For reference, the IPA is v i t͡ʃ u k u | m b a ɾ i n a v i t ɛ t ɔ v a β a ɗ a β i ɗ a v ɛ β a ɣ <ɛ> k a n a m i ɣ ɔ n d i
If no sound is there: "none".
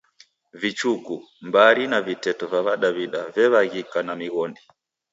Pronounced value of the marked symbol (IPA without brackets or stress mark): i